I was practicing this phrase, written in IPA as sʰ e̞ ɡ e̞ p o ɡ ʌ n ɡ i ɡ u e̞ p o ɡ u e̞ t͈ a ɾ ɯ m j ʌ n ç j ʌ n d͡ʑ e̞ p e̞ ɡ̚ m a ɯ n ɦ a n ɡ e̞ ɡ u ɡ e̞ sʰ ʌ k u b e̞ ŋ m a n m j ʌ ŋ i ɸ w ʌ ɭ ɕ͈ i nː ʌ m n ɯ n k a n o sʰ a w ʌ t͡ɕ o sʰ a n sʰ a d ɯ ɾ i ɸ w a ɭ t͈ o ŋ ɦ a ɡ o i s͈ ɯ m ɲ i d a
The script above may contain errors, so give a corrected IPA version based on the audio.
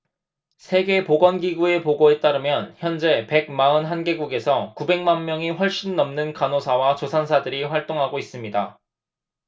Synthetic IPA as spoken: sʰ e̞ ɡ e̞ p o ɡ ʌ n ɡ i ɡ u e̞ p o ɡ o e̞ t͈ a ɾ ɯ m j ʌ n ç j ʌ n d͡ʑ e̞ p e̞ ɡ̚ m a ɯ n ɦ a n ɡ e̞ ɡ u ɡ e̞ sʰ ʌ k u b e̞ ŋ m a n m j ʌ ŋ i ɸ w ʌ ɭ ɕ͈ i nː ʌ m n ɯ n k a n o sʰ a w a t͡ɕ o sʰ a n sʰ a d ɯ ɾ i ɸ w a ɭ t͈ o ŋ ɦ a ɡ o i s͈ ɯ m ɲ i d a

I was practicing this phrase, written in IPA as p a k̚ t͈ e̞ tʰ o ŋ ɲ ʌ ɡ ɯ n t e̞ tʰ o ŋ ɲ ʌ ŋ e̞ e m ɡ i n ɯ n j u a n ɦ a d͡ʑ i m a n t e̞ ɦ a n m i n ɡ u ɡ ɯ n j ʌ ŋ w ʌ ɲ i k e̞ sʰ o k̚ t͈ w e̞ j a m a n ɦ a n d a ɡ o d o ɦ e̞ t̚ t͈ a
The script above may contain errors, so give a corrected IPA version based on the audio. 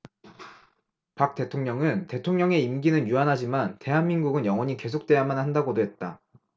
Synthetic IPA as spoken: p a k̚ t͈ e̞ tʰ o ŋ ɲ ʌ ŋ ɯ n t e̞ tʰ o ŋ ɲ ʌ ŋ e̞ i m ɡ i n ɯ n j u a n ɦ a d͡ʑ i m a n t e̞ ɦ a n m i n ɡ u ɡ ɯ n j ʌ ŋ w ʌ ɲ i k e̞ sʰ o k̚ t͈ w e̞ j a m a n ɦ a n d a ɡ o d o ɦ e̞ t̚ t͈ a

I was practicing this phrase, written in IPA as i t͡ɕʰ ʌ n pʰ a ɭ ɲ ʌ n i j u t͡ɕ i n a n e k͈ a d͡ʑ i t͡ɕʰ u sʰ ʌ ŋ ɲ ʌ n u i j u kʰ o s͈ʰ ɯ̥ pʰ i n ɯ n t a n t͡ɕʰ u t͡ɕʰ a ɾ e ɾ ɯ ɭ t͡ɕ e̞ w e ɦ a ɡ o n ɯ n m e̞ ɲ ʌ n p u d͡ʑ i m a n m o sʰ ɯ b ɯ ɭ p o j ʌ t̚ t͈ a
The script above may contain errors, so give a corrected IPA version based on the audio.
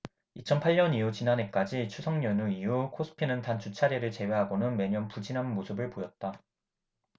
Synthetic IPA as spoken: i t͡ɕʰ ʌ n pʰ a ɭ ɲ ʌ n i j u t͡ɕ i n a n e k͈ a d͡ʑ i t͡ɕʰ u sʰ ʌ ŋ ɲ ʌ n u i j u kʰ o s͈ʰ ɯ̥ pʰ i n ɯ n t a n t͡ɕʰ u t͡ɕʰ a ɾ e ɾ ɯ ɭ t͡ɕ e̞ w e ɦ a ɡ o n ɯ n m e̞ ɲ ʌ n p u d͡ʑ i n a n m o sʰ ɯ b ɯ ɭ p o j ʌ t̚ t͈ a

